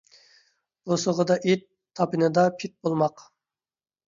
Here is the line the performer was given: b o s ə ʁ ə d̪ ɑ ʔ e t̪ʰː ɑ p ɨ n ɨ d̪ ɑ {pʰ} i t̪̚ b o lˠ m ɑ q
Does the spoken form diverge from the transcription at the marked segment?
no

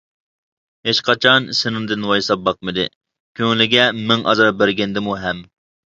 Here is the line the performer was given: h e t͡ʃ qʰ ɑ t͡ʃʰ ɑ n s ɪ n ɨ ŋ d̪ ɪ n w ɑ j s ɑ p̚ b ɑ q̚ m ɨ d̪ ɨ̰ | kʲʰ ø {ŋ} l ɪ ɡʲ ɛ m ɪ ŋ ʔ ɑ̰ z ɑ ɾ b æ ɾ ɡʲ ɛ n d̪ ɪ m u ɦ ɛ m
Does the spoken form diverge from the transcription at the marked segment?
no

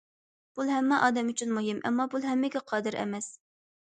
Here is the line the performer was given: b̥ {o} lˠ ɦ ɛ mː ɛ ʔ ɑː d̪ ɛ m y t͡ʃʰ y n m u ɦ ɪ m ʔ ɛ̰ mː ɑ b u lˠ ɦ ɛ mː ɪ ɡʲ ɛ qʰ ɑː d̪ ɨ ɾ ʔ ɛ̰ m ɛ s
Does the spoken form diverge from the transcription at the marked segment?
yes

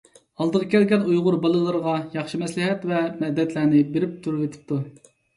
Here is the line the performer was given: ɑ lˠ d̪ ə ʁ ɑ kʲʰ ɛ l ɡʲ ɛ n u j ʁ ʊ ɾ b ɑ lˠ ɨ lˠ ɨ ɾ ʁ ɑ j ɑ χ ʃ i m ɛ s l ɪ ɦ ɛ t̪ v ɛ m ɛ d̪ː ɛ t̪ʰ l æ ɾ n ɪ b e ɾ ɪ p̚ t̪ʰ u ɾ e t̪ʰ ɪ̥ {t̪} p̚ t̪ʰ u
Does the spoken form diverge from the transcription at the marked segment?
yes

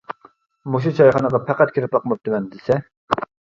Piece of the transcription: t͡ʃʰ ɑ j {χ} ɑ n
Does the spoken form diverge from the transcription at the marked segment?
no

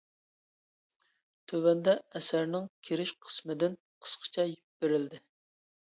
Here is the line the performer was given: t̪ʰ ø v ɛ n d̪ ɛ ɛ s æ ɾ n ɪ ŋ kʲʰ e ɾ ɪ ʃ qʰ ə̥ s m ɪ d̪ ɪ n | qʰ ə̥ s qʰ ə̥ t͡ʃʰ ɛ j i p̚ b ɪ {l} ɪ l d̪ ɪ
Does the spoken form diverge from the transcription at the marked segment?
yes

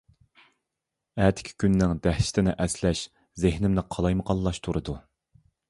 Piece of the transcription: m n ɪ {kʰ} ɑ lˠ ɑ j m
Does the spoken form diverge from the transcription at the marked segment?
yes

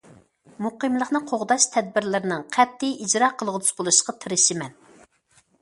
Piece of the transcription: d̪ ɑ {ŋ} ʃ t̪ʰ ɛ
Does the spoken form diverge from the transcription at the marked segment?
yes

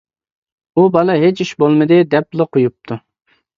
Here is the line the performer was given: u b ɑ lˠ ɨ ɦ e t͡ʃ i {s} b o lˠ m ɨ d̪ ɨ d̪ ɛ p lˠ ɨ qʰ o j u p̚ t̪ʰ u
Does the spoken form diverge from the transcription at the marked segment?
yes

